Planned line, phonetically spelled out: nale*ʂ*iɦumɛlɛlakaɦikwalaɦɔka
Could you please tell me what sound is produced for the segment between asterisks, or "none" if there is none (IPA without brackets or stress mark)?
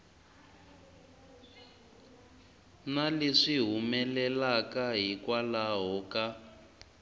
ʂ